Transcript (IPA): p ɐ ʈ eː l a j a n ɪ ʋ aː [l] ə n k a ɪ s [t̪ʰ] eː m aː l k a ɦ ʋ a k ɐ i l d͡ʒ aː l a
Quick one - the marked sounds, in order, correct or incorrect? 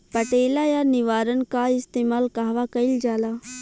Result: incorrect: ɾ, incorrect: t̪

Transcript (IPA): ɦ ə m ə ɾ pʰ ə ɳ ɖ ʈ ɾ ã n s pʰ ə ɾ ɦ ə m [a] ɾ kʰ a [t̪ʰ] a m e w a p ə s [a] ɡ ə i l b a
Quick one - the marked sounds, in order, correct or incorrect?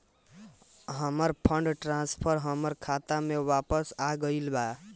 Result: incorrect: ə, incorrect: t̪, correct

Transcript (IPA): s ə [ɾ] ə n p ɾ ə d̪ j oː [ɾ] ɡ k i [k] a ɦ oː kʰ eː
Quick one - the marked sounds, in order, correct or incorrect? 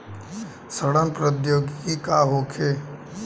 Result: incorrect: ɽ, incorrect: none, correct

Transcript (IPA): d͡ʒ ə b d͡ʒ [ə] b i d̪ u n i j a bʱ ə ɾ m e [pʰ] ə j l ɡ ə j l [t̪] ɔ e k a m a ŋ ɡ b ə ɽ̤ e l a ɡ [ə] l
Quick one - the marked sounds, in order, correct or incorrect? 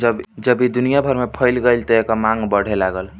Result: correct, correct, correct, correct

